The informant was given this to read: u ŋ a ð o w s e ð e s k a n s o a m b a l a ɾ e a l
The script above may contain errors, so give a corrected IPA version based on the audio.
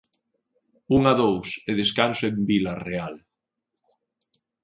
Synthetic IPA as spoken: u ŋ a ð o w s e ð e s k a n s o e m b i l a r e a l